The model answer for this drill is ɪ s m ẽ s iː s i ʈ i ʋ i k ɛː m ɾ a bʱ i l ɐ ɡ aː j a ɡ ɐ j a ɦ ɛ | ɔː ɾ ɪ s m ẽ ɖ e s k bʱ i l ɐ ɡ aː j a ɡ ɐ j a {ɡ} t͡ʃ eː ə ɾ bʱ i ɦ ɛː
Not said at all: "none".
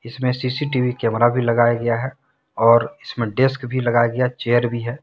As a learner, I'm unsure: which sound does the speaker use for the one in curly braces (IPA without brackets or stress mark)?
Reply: none